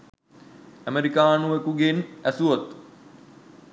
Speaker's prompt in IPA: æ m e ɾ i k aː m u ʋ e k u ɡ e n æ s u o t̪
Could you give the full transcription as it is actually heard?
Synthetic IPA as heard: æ m e ɾ i k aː n u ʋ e k u ɡ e n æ s u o t̪